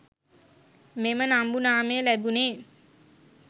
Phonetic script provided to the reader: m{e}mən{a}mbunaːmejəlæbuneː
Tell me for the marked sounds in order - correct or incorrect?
correct, correct

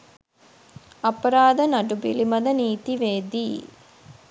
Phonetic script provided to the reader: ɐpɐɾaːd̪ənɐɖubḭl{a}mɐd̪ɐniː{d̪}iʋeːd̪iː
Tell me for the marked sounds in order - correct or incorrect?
incorrect: i, incorrect: t̪

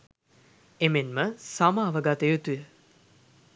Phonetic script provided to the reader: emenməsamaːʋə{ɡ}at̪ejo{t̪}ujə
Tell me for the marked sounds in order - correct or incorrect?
correct, correct

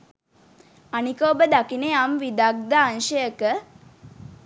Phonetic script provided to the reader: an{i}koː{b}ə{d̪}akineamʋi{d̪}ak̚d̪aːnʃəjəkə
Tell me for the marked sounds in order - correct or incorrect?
correct, correct, correct, correct

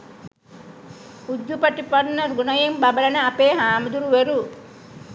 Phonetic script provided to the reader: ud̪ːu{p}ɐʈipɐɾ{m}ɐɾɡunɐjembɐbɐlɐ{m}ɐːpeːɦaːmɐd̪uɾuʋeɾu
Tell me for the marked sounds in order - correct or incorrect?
correct, incorrect: n, incorrect: n

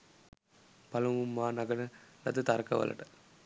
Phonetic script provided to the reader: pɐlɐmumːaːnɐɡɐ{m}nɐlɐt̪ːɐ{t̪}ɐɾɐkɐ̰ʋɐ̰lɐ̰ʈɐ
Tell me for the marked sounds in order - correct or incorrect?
incorrect: none, correct

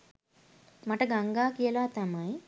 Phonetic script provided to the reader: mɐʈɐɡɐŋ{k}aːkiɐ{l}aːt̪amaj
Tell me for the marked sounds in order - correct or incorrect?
incorrect: ɡ, correct

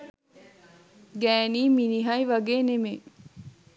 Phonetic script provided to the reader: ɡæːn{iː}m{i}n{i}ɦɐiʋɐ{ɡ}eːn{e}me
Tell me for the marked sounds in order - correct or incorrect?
correct, correct, correct, correct, correct

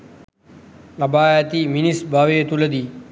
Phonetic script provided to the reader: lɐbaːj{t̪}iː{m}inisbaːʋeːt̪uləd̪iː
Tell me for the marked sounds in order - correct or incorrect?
correct, correct

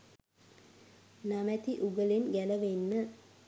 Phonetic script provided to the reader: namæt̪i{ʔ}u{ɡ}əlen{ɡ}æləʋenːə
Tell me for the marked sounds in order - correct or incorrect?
correct, correct, correct

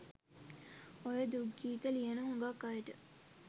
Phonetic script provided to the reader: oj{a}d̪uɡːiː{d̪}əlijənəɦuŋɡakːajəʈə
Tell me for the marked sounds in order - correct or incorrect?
incorrect: ə, incorrect: t̪

